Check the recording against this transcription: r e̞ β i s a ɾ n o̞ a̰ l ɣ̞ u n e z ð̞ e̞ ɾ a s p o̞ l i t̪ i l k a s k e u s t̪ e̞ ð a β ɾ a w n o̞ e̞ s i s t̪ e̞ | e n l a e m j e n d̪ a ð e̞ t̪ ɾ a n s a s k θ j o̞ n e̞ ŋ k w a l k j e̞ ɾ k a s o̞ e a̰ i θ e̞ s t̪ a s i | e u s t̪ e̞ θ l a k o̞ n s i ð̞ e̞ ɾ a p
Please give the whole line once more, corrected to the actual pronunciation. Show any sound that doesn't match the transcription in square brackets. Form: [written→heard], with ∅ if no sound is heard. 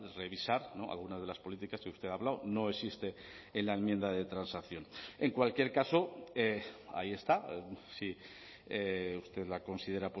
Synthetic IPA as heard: r e̞ β i s a ɾ n o̞ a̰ l ɣ̞ u n [e→a] z ð̞ e̞ [ɾ→l] a s p o̞ l i t̪ i [l→∅] k a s k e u s t̪ e̞ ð a β [ɾ→l] a w n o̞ e̞ s i s t̪ e̞ | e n l a e m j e n d̪ a ð e̞ t̪ ɾ a n s a [s→∅] k θ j o̞ n e̞ ŋ k w a l k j e̞ ɾ k a s o̞ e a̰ i [θ→∅] e̞ s t̪ a s i | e u s t̪ e̞ [θ→ð] l a k o̞ n s i ð̞ e̞ ɾ a p